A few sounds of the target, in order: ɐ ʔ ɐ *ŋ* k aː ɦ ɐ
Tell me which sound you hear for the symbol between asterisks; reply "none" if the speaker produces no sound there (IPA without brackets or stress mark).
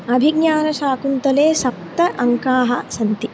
ŋ